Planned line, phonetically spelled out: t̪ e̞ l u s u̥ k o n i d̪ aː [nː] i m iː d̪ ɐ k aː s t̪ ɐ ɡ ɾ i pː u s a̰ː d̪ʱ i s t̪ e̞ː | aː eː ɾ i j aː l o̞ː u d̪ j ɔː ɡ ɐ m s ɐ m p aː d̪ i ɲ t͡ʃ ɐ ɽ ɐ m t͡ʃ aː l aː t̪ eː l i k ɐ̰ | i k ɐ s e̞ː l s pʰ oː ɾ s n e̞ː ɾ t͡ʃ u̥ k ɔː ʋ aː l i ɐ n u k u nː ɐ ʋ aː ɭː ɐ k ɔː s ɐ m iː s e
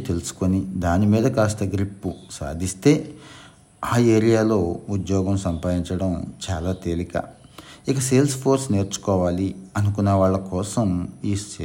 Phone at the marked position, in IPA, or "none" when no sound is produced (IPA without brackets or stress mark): n